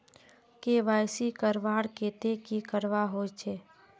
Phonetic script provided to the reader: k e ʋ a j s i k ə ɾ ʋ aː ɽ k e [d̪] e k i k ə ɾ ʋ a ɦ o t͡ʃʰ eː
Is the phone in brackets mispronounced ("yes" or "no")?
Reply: yes